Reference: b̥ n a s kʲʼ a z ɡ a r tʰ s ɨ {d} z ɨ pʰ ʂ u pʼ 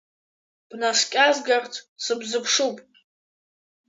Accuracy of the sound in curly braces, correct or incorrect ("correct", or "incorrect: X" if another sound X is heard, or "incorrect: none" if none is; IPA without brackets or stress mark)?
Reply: incorrect: b